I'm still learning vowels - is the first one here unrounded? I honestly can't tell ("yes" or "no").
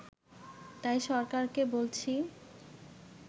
yes